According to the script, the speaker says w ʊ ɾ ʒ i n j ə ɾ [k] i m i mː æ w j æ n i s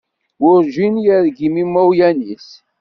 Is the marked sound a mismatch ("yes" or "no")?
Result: yes